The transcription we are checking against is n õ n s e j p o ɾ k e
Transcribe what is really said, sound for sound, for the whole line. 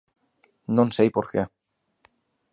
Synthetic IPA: n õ n s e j p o ɾ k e